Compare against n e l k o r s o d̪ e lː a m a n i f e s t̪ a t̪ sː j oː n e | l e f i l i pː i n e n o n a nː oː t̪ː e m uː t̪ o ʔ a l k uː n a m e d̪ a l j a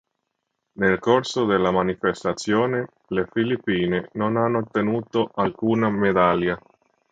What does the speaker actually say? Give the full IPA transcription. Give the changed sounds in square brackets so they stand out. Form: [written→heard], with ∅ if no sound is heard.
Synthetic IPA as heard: n e l k o r s o d̪ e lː a m a n i f e s t̪ a t̪ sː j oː n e | l e f i l i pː [i→iː] n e n o n a nː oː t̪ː e [m→n] uː t̪ o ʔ a l k uː n a m e d̪ a l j a

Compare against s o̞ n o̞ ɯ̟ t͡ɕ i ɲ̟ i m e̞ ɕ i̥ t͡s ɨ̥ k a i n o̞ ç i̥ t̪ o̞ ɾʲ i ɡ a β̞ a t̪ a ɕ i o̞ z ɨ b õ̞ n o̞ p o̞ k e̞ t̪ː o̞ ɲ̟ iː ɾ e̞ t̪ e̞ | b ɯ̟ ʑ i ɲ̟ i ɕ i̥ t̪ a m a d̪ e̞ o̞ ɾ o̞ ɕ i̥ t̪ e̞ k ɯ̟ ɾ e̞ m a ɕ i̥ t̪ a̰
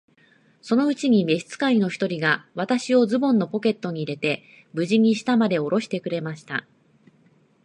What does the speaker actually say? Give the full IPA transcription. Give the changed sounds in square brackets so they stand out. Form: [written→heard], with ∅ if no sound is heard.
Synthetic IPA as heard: s o̞ n o̞ ɯ̟ t͡ɕ i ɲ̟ i m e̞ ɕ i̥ t͡s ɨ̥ k a i n o̞ ç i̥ t̪ o̞ ɾʲ i ɡ a β̞ a t̪ a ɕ i o̞ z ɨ b õ̞ [n→nː] o̞ p o̞ k e̞ t̪ː o̞ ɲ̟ iː ɾ e̞ t̪ e̞ | b ɯ̟ ʑ i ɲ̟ i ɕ i̥ t̪ a m a d̪ e̞ o̞ ɾ o̞ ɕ i̥ t̪ e̞ k ɯ̟ ɾ e̞ m a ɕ i̥ t̪ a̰

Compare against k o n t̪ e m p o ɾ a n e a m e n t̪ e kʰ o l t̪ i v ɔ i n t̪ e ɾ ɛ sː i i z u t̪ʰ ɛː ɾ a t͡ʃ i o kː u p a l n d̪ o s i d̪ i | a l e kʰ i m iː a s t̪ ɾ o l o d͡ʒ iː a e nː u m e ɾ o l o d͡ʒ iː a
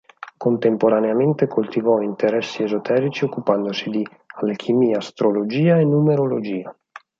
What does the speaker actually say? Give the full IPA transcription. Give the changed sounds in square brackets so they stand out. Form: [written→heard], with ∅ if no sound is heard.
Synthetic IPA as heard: k o n t̪ e m p o ɾ a n e a m e n t̪ e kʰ o l t̪ i v ɔ i n t̪ e ɾ ɛ sː i [i→e] z [u→o] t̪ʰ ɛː ɾ [a→i] t͡ʃ i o kː u p a [l→∅] n d̪ o s i d̪ i | a l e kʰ i m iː a s t̪ ɾ o l o d͡ʒ iː a e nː u m e ɾ o l o d͡ʒ iː a

